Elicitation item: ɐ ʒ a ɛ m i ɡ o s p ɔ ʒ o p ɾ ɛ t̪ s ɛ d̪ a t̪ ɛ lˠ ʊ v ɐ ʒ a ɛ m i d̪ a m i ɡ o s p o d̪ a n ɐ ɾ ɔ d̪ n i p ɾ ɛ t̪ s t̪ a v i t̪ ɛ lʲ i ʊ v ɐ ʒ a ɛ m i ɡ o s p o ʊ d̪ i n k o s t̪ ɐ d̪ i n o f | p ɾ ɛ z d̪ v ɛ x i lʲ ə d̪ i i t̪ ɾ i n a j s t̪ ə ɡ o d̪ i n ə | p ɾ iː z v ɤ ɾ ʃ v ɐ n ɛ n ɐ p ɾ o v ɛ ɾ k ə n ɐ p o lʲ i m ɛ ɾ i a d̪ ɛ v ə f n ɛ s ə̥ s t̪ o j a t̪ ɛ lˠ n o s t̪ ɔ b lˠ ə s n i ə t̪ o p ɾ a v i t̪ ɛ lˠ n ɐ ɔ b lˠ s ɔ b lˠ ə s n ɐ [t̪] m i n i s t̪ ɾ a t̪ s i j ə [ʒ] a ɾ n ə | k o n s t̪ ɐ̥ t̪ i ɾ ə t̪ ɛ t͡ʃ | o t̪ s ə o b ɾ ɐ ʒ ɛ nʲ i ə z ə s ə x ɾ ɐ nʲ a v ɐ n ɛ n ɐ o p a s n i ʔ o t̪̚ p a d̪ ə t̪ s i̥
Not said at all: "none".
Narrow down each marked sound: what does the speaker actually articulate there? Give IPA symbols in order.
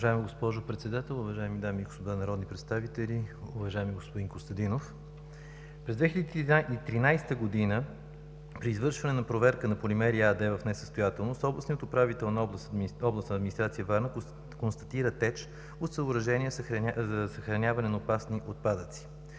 d̪, v

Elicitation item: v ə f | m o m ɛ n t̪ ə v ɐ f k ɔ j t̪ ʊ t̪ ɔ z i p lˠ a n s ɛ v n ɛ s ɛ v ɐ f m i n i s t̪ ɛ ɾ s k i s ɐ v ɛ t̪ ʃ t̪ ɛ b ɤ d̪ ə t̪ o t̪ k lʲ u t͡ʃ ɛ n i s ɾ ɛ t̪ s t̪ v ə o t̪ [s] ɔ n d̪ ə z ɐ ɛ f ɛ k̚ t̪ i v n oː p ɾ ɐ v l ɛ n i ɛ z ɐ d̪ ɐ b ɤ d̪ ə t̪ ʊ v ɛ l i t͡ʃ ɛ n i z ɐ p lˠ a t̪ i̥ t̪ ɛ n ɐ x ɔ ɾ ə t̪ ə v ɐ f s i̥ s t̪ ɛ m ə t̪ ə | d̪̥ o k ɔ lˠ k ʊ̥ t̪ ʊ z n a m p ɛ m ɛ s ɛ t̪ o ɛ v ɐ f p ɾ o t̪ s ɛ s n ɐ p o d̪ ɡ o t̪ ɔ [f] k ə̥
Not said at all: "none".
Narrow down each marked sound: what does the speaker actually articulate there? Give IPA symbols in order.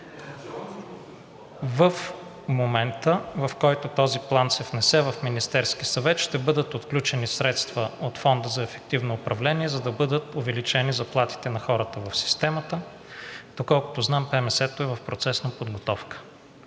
f, f

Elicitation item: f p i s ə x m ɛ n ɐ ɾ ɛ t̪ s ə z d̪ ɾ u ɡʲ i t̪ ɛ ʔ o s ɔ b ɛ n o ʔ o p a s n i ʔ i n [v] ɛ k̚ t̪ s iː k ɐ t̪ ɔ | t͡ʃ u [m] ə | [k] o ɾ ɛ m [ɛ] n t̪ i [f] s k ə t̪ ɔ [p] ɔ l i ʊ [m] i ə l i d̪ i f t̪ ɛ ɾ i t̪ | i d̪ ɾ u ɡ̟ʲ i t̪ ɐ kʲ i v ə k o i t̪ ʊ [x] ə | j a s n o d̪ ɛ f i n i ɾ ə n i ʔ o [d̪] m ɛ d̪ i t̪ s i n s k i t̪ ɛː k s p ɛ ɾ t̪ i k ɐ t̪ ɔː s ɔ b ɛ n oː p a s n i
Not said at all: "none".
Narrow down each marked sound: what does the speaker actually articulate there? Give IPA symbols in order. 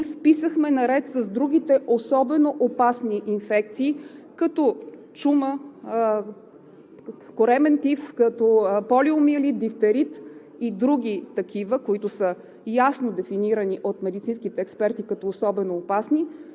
f, m, k, ɛ, f, p, m, s, t̪

